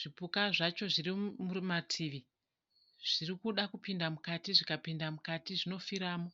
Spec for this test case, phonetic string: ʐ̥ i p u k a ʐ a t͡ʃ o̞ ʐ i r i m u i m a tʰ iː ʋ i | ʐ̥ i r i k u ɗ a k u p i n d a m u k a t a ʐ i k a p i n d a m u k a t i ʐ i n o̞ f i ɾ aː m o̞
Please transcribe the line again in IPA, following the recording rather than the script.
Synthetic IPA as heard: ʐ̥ i p u k a ʐ a t͡ʃ o̞ ʐ i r i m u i m a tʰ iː ʋ i | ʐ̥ i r i k u ɗ a k u p i n d a m u k a t i ʐ i k a p i n d a m u k a t i ʐ i n o̞ f i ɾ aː m o̞